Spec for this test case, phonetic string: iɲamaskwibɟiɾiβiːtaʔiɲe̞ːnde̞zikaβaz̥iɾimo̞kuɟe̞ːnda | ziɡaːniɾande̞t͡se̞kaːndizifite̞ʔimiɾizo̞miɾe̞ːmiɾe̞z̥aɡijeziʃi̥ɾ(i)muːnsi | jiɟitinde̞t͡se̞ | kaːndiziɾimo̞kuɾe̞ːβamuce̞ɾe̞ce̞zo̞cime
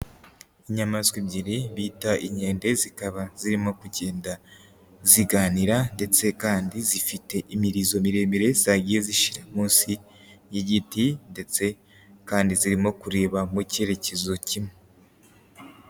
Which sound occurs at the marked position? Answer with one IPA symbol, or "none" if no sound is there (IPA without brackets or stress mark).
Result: a